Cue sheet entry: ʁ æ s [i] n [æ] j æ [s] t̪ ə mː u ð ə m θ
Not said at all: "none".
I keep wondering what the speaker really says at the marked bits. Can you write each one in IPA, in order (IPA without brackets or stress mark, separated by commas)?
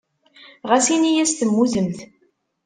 i, i, s